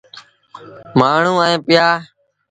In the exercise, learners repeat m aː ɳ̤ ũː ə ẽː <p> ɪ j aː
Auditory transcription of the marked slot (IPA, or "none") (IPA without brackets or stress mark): p